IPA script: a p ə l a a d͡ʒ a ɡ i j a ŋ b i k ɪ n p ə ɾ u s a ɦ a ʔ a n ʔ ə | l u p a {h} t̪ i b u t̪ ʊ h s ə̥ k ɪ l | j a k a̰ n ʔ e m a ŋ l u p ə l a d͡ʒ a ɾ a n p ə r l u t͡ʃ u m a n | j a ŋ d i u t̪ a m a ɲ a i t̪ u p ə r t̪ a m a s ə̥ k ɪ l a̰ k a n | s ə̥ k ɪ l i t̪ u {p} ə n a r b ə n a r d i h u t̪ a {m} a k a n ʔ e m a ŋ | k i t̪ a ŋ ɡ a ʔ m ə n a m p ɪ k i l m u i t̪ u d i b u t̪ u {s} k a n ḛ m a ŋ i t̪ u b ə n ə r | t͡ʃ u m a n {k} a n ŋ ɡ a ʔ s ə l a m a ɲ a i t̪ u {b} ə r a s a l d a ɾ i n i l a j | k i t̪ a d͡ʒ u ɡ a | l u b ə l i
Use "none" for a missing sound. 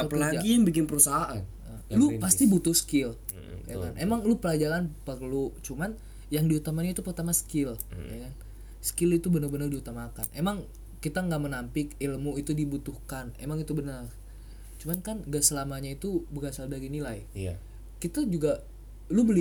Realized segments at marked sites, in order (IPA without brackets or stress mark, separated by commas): s, b, m, h, k, b